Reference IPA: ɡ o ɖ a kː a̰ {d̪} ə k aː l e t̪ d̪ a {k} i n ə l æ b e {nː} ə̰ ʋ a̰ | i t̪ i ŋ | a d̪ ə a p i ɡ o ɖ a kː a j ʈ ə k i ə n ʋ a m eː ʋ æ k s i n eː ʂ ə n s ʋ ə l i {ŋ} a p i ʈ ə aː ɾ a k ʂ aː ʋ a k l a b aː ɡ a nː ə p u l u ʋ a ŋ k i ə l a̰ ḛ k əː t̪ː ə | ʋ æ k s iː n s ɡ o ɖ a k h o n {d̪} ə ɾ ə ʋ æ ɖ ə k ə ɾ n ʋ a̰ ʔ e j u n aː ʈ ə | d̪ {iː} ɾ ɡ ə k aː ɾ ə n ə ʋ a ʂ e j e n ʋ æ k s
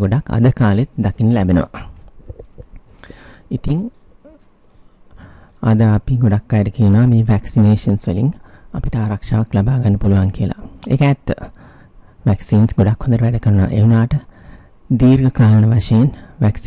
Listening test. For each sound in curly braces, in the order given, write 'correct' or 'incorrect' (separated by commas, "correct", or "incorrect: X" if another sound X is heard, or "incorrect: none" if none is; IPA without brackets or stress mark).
correct, correct, incorrect: n, correct, correct, correct